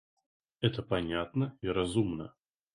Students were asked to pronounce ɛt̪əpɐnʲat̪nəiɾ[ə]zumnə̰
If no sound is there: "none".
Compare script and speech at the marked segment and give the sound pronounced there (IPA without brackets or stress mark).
ɐ